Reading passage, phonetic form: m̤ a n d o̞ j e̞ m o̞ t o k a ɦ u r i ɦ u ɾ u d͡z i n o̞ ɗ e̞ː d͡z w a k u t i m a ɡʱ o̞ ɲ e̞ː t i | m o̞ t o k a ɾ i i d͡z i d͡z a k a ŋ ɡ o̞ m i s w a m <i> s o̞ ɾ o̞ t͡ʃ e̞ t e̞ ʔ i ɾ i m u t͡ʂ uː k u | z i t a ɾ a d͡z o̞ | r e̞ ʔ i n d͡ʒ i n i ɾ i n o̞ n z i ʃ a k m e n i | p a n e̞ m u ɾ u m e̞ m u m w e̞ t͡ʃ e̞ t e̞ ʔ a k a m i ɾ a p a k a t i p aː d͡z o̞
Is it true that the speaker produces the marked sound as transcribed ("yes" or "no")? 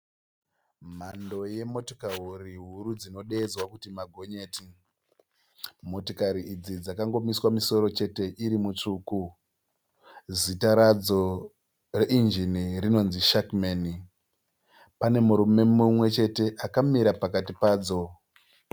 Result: yes